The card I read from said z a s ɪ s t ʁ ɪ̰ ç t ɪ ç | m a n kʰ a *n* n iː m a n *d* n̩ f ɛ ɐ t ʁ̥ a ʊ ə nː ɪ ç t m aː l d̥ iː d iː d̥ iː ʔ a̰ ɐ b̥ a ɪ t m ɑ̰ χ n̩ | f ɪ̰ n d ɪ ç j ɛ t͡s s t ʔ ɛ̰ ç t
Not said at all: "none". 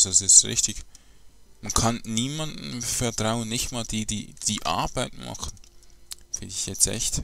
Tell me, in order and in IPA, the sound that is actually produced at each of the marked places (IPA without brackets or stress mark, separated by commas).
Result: n, d